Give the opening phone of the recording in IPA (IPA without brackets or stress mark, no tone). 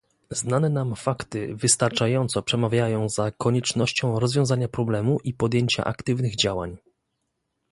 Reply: z